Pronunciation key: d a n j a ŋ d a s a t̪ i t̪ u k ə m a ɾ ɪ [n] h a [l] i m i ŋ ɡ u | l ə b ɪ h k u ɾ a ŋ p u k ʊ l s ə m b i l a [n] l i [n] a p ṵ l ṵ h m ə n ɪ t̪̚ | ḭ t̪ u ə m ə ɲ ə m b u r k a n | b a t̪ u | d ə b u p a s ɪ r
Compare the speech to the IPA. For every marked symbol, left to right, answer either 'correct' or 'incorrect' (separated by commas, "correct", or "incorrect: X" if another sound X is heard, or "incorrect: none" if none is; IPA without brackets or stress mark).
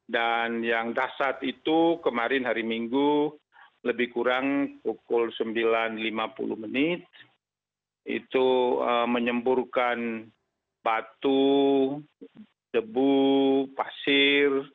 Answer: correct, incorrect: ɾ, correct, incorrect: m